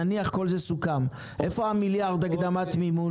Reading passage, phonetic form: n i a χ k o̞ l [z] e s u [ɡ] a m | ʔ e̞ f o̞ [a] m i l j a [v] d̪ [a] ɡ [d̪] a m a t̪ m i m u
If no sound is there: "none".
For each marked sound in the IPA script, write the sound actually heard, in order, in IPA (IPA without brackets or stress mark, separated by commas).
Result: z, k, a, ʁ, a, d̪